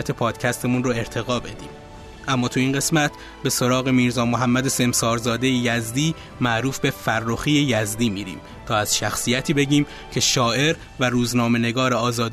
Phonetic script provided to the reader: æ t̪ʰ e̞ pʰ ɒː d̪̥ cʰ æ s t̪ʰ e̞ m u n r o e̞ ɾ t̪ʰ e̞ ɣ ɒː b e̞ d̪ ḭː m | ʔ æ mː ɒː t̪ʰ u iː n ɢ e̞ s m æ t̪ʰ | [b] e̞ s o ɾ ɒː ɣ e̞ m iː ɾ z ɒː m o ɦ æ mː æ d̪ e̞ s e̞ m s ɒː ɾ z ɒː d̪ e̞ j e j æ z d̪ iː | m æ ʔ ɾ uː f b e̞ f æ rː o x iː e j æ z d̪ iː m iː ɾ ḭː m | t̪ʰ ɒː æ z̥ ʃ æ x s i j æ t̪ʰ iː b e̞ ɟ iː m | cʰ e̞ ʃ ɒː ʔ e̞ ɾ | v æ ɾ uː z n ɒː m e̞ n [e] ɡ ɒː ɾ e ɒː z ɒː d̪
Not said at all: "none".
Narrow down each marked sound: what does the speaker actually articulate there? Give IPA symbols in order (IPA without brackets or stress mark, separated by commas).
b, e